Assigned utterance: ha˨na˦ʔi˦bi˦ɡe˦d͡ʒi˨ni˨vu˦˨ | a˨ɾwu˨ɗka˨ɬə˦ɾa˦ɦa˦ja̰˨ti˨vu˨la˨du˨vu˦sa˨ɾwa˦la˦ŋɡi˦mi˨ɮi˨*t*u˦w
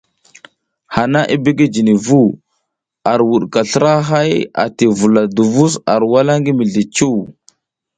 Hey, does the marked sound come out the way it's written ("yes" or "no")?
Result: no